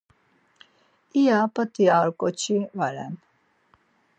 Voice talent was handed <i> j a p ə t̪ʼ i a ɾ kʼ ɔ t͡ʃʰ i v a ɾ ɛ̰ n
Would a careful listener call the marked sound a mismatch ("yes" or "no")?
no